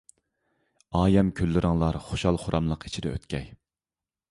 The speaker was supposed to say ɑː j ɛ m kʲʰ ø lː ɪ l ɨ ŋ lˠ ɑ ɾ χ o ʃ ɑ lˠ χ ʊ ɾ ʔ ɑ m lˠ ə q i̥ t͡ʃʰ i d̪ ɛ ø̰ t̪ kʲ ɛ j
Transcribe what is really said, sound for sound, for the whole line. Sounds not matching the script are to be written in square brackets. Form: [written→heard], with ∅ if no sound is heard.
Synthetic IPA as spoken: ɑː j ɛ m kʲʰ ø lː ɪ [l→ɾ] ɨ ŋ lˠ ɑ ɾ χ o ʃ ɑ lˠ χ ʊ ɾ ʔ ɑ m lˠ ə q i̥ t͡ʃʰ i d̪ ɛ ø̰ t̪ kʲ ɛ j

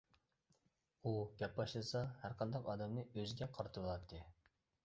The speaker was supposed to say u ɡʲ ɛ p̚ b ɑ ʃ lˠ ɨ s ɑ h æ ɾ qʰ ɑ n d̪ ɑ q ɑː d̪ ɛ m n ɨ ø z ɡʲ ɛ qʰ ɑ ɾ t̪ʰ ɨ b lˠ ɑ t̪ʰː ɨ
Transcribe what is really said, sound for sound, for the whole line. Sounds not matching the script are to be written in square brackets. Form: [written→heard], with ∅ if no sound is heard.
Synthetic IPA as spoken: u ɡʲ ɛ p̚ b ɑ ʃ lˠ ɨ s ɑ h æ ɾ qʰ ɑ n d̪ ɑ q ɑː d̪ ɛ m n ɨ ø z ɡʲ ɛ qʰ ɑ ɾ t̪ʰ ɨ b lˠ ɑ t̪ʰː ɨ

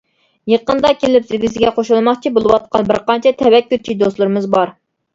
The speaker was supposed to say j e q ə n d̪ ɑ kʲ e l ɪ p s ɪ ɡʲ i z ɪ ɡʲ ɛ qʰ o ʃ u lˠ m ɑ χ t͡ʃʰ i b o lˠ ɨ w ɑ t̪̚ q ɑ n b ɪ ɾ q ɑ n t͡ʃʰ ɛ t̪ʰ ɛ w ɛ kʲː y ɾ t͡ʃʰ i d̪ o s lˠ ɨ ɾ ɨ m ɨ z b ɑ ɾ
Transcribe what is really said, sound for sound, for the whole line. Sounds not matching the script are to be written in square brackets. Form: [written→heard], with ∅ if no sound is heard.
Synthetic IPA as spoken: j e q ə n d̪ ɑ kʲ e l ɪ p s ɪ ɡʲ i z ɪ ɡʲ ɛ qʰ o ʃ u lˠ m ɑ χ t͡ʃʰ i b o lˠ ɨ w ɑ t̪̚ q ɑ n b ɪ ɾ q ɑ n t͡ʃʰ ɛ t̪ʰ ɛ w ɛ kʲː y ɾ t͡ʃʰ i d̪ o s lˠ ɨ ɾ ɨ m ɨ z b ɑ ɾ

